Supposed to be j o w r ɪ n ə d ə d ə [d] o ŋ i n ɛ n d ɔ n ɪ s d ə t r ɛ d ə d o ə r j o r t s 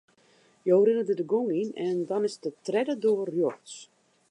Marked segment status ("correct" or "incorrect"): incorrect